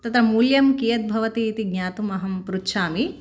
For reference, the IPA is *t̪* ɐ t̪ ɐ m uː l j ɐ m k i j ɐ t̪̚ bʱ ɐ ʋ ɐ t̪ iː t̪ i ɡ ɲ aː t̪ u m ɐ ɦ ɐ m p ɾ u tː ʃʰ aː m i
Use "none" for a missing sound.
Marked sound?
t̪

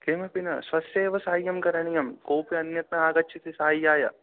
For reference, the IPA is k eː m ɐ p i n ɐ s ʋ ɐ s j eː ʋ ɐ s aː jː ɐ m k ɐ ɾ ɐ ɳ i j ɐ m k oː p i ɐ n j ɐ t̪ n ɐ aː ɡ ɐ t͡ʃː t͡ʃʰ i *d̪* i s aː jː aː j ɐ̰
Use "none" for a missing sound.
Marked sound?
t̪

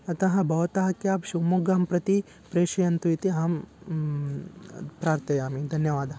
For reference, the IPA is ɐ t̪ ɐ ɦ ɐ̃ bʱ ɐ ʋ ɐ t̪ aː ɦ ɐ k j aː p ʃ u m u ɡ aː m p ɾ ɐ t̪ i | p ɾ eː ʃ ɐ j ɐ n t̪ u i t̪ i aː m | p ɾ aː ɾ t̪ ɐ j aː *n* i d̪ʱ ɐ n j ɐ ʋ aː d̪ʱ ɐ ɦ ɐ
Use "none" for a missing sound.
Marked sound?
m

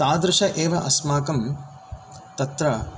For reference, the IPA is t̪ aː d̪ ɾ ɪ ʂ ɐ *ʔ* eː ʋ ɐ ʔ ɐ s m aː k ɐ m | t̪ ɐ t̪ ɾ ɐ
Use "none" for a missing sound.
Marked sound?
ʔ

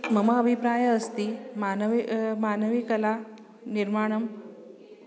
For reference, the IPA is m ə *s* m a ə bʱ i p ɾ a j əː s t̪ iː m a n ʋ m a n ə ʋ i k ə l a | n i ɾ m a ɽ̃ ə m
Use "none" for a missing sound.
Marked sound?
none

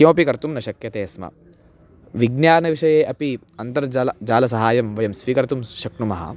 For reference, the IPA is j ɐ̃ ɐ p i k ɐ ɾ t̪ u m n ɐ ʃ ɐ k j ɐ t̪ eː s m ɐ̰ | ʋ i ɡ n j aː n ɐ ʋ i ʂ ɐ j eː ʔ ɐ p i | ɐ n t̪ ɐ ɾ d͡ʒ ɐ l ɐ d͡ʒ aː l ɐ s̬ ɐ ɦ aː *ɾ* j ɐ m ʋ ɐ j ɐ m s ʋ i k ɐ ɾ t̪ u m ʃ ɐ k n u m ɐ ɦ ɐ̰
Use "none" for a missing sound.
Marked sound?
none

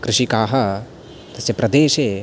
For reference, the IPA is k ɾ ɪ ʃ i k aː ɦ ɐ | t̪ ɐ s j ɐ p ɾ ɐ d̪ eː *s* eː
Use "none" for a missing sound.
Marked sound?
ʃ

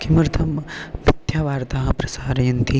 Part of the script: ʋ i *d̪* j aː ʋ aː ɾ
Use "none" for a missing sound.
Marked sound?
t̪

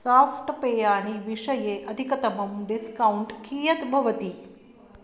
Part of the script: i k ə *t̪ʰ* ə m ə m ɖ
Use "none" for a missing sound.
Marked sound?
t̪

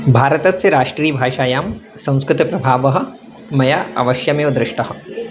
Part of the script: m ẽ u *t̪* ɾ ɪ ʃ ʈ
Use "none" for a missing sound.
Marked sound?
d̪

